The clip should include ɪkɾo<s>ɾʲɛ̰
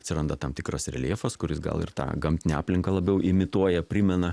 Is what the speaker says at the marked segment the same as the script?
yes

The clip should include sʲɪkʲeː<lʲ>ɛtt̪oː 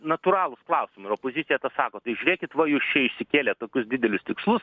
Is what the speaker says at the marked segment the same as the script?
yes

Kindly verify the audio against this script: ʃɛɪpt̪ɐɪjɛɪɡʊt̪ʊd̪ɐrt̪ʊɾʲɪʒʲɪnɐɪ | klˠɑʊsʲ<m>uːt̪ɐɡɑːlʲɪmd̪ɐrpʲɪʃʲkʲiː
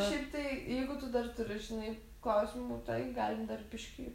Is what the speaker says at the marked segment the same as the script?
yes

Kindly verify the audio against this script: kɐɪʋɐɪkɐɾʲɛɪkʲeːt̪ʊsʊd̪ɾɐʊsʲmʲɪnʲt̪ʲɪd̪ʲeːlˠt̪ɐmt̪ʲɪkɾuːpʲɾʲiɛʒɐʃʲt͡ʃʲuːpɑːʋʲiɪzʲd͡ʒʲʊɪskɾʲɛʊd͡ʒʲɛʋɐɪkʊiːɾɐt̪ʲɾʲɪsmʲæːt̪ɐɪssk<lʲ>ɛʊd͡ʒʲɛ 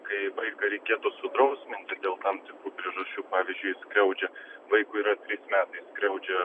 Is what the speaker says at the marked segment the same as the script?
no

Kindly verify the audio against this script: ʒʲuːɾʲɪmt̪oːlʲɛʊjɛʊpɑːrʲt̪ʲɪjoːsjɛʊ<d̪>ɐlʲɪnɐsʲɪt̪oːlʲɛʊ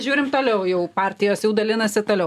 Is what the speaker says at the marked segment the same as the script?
yes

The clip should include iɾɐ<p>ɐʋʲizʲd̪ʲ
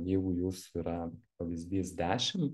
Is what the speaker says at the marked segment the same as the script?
yes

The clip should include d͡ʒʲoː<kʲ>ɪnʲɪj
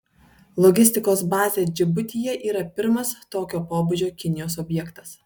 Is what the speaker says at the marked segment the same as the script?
yes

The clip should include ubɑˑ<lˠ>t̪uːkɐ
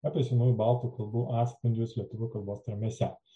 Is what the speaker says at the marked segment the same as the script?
yes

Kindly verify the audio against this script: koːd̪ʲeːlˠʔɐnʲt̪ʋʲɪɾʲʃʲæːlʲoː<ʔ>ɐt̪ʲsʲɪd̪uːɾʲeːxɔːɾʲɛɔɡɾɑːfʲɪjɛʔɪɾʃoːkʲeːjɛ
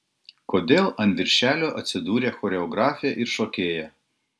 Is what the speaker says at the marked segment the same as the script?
yes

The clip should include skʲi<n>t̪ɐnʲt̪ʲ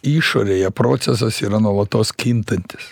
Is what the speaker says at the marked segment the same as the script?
yes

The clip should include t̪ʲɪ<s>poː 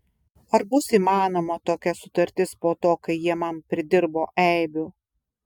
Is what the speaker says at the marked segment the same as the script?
yes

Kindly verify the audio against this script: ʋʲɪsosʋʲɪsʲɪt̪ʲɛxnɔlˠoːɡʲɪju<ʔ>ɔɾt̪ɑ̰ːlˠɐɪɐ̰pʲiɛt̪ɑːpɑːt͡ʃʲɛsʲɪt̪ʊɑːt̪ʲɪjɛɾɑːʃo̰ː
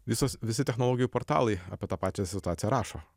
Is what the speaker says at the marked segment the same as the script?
no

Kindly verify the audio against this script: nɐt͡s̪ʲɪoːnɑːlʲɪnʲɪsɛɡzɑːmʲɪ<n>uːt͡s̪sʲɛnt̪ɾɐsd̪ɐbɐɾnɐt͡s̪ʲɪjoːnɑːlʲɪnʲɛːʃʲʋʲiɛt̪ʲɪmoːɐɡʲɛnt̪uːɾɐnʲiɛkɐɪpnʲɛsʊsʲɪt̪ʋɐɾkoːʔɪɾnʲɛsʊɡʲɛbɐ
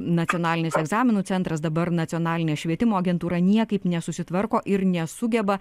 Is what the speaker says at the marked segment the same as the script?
yes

